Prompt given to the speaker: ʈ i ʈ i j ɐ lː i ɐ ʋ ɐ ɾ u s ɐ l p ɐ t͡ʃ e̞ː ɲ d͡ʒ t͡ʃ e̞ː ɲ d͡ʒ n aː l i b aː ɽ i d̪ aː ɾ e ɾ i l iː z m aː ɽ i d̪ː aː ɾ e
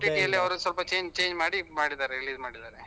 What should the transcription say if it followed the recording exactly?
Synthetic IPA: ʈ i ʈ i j ɐ lː i ɐ ʋ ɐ ɾ u s ɐ l p ɐ t͡ʃ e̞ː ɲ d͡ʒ t͡ʃ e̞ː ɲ d͡ʒ m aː ɽ i m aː ɽ i d̪ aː ɾ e ɾ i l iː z m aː ɽ i d̪ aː ɾ e

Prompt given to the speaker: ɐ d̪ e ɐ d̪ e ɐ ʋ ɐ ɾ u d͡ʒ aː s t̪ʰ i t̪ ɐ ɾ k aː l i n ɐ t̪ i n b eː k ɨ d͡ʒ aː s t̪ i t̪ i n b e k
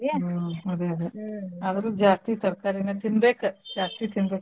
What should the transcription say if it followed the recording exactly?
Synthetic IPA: ɐ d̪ e ɐ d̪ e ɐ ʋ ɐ ɾ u d͡ʒ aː s t̪ i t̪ ɐ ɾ k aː ɾ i n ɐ t̪ i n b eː k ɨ d͡ʒ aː s t̪ i t̪ i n b e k

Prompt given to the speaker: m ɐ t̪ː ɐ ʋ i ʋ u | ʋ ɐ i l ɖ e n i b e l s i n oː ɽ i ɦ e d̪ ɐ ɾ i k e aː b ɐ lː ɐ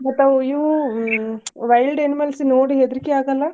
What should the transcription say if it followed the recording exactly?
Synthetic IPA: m ɐ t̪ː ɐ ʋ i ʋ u | ʋ ɐ j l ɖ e n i m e l s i n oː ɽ i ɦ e d̪ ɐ ɾ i k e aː ɡ ɐ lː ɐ

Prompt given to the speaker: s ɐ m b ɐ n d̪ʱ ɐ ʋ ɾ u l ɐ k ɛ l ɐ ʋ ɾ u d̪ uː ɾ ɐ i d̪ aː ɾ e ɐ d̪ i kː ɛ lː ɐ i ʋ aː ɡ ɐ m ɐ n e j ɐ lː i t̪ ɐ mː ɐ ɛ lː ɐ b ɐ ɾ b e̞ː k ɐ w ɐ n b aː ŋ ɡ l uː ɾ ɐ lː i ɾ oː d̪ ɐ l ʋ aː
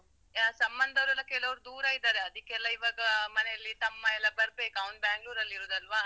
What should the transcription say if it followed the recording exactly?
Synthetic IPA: s ɐ m b ɐ n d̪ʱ ɐ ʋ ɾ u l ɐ k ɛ l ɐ ʋ ɾ u d̪ uː ɾ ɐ i d̪ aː ɾ e ɐ d̪ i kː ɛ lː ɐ i ʋ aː ɡ ɐ m ɐ n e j ɐ lː i t̪ ɐ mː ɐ ɛ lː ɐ b ɐ ɾ b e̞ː k ɐ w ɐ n b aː ŋ ɡ l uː ɾ ɐ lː i ɾ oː d̪ ɐ l ʋ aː

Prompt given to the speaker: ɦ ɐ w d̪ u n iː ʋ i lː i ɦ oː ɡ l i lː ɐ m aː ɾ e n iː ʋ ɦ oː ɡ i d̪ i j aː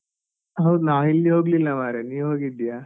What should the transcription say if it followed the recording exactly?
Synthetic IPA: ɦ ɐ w d̪ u n aː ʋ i lː i ɦ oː ɡ l i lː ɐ m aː ɾ e n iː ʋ ɦ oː ɡ i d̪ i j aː

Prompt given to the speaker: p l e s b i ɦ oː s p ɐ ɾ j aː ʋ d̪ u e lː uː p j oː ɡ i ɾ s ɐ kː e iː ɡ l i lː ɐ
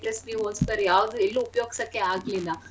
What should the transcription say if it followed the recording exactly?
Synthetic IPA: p l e s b i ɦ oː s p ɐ ɾ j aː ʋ d̪ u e lː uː p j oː ɡ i s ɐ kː e aː ɡ l i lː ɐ

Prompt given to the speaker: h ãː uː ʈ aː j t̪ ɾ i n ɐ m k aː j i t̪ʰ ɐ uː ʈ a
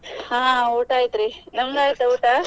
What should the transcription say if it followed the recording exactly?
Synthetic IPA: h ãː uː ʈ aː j t̪ ɾ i n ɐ m ɡ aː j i t̪ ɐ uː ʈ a

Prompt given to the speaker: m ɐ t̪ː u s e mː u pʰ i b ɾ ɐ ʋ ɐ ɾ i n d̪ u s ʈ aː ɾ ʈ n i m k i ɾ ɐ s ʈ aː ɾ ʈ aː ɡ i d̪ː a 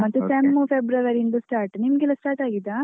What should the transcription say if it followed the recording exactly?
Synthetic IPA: m ɐ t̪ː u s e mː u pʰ e b ɾ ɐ ʋ ɐ ɾ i n d̪ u s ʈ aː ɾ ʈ n i m ɡ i l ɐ s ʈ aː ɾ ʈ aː ɡ i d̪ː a

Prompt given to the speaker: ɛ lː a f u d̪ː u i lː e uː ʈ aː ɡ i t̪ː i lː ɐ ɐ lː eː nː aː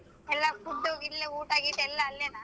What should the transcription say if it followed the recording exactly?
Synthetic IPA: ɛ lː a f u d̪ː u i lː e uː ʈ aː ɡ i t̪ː ɛ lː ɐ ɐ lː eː n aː

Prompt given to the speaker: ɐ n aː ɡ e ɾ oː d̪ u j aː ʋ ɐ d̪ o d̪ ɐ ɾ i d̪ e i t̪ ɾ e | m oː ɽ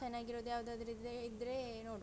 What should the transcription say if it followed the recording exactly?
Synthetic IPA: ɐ n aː ɡ i ɾ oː d̪ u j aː ʋ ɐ d̪ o d̪ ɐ ɾ i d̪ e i d̪ ɾ e | n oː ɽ

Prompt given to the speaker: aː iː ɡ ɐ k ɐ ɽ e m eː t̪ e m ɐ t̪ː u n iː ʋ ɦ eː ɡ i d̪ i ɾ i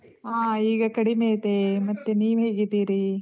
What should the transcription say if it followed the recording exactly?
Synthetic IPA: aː iː ɡ ɐ k ɐ ɽ i m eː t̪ e m ɐ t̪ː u n iː ʋ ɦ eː ɡ i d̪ iː ɾ i

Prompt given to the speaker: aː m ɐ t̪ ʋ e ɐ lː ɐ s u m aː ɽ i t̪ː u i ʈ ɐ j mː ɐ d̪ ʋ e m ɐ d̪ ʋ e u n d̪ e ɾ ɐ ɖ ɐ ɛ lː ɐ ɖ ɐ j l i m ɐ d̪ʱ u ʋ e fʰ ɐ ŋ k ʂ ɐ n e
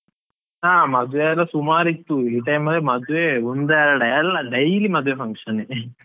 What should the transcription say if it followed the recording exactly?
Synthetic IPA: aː m ɐ d̪ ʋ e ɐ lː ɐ s u m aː ɾ i t̪ː u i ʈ ɐ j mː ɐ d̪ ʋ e m ɐ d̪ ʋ e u n d̪ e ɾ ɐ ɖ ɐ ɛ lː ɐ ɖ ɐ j l i m ɐ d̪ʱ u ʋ e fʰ ɐ ŋ k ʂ ɐ n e

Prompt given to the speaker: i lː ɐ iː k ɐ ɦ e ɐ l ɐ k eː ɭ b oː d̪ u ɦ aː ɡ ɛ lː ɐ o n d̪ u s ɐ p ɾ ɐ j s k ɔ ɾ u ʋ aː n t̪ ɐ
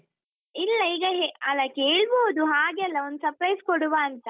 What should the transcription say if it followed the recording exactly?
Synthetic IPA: i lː ɐ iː ɡ ɐ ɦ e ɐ l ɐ k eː ɭ b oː d̪ u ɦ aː ɡ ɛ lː ɐ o n d̪ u s ɐ p ɾ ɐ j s k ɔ ɽ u ʋ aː n t̪ ɐ

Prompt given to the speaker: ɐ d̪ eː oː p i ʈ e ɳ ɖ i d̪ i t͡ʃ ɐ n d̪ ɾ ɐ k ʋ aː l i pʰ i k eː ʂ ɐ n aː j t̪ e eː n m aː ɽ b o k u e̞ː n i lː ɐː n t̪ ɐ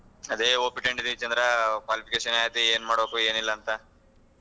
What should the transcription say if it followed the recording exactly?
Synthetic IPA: ɐ d̪ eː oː p i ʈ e ɳ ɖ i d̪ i t͡ʃ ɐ n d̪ ɾ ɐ k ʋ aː l i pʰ i k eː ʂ ɐ n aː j t̪ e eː n m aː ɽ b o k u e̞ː n i lː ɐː n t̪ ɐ

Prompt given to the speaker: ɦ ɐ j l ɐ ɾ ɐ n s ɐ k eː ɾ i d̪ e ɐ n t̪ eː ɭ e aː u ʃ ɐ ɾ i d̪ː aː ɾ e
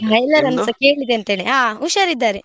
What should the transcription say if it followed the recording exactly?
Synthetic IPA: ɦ ɐ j l ɐ ɾ ɐ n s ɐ k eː ɭ i d̪ e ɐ n t̪ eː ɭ e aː u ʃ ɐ ɾ i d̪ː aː ɾ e

